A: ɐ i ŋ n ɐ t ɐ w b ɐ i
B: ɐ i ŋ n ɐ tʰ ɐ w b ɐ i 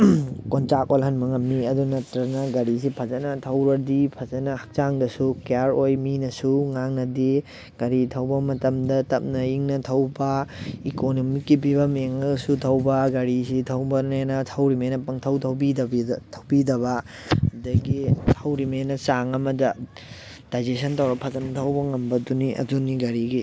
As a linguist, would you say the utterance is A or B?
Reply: B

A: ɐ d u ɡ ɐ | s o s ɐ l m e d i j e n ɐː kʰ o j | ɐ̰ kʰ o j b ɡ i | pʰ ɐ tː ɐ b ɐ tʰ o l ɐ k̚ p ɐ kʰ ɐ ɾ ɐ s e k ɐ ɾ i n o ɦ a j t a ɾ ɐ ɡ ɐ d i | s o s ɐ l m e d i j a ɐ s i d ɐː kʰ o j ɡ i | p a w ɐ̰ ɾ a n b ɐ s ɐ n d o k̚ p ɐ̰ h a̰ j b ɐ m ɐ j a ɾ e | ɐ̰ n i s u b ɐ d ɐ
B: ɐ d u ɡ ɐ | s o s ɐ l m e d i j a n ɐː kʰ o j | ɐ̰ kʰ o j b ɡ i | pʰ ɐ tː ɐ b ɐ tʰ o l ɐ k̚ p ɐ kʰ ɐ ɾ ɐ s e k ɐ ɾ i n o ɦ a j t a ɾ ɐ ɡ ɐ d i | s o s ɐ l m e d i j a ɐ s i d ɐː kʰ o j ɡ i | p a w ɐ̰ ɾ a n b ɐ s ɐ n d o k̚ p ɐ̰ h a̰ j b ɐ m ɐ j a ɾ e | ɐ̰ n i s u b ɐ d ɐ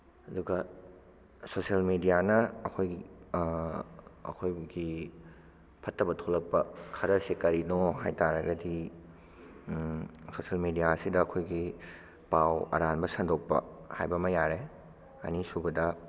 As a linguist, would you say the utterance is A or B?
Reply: B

